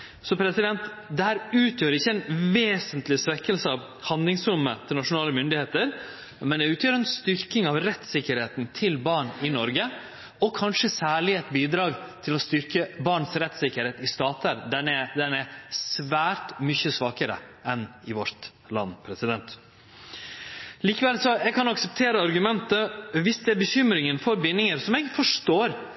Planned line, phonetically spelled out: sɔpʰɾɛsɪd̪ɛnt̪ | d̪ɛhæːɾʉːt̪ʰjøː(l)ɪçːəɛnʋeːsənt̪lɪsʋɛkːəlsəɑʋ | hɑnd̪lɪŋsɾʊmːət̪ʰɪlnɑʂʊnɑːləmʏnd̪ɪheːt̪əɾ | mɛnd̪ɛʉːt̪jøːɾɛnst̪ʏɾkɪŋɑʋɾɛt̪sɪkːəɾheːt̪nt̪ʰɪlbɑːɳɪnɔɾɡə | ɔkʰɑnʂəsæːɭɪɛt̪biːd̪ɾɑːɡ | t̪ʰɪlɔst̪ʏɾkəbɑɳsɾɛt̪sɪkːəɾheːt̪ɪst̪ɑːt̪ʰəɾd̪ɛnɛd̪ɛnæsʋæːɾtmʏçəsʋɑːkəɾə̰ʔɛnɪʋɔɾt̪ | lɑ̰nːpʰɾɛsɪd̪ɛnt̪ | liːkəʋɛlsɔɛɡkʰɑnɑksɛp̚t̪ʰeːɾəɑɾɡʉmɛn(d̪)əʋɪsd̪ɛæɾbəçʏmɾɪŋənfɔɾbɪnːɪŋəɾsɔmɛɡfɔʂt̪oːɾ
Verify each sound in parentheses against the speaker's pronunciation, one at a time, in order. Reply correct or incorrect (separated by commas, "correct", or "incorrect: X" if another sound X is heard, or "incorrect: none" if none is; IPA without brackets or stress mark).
incorrect: ɾ, incorrect: t̪